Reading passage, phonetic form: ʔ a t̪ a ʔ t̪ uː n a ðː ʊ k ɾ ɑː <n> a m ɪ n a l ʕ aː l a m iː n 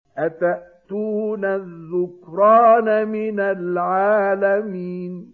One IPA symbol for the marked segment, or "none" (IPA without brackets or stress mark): n